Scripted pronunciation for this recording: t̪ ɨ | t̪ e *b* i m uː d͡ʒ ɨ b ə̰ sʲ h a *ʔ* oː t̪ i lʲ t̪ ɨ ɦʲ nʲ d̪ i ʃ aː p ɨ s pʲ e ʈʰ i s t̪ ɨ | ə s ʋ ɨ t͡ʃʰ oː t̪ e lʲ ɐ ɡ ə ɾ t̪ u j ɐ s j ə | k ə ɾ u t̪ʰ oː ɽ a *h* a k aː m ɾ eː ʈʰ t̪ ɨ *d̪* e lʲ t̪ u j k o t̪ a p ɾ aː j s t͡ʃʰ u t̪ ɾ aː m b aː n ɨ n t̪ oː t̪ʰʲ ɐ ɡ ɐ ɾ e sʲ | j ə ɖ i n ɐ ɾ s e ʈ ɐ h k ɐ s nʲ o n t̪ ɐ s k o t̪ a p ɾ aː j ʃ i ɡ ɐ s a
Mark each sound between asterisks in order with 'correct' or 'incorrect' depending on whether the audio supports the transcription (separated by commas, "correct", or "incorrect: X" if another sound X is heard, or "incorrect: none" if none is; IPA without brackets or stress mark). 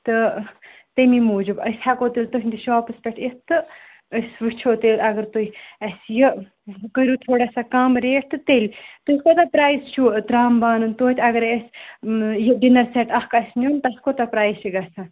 incorrect: m, incorrect: k, incorrect: s, incorrect: t̪